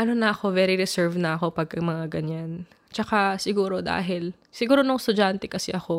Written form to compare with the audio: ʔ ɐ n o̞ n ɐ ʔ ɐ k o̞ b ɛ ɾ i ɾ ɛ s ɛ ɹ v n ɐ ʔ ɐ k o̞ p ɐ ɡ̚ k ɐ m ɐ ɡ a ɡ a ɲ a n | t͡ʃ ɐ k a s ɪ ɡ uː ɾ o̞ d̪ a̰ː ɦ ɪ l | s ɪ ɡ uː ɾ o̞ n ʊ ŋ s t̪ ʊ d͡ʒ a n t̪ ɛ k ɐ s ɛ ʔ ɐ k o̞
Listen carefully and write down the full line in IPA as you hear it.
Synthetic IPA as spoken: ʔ ɐ n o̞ n ɐ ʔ ɐ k o̞ v ɛ ɾ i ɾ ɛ s ɛ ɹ v n ɐ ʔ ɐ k o̞ p ɐ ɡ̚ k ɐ m ɐ ŋ a ɡ ɐ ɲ a n | t͡ʃ ɐ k a s ɪ ɡ uː ɾ o̞ d̪ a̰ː ɦ ɪ l | s ɪ ɡ uː ɾ o̞ n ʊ ŋ s t̪ ʊ d͡ʒ a n t̪ ɛ k ɐ s ɛ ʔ ɐ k o̞